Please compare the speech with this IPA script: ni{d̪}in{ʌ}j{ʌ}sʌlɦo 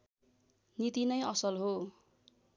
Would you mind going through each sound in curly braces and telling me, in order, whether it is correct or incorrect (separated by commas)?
incorrect, correct, correct